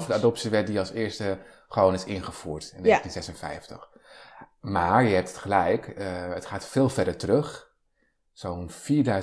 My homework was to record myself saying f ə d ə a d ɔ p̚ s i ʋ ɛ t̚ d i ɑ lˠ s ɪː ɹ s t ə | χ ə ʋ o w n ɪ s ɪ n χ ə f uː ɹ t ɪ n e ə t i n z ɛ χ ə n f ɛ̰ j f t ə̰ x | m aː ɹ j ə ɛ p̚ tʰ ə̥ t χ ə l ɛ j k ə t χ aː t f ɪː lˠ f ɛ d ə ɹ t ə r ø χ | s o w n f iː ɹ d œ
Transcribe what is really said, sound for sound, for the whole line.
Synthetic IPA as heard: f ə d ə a d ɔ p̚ s i ʋ ɛ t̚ d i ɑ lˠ s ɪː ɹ s t ə | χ ə ʋ o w n ɪ s ɪ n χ ə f uː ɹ t ɪ n e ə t i n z ɛ s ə n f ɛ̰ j f t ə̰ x | m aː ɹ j ə ɛ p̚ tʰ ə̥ t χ ə l ɛ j k ə t χ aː t f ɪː lˠ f ɛ d ə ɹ t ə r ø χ | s o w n f iː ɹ d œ